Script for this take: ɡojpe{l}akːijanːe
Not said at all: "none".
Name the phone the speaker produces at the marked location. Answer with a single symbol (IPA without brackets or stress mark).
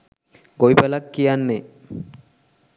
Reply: l